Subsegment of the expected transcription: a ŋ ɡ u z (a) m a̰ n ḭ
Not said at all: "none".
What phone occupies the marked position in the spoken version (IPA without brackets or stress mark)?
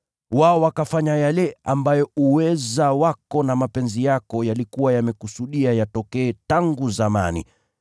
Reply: a